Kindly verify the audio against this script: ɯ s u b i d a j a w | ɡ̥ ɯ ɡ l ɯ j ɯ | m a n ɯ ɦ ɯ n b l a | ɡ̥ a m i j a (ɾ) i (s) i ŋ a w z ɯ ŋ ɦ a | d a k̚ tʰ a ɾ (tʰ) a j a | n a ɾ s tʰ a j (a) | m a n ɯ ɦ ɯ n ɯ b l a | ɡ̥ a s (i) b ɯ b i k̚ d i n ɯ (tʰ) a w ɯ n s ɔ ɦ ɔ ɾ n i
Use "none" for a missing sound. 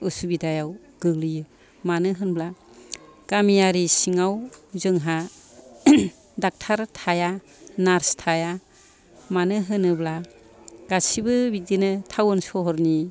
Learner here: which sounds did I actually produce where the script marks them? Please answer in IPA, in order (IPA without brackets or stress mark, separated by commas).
ɾ, s, tʰ, a, i, tʰ